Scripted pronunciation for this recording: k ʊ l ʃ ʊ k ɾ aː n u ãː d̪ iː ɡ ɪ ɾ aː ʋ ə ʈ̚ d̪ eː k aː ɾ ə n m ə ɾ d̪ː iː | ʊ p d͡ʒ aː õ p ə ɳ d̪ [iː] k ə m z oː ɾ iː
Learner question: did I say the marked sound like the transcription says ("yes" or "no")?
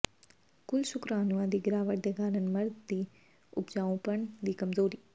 yes